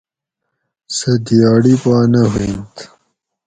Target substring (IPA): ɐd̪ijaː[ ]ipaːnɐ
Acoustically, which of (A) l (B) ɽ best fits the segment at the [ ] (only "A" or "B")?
B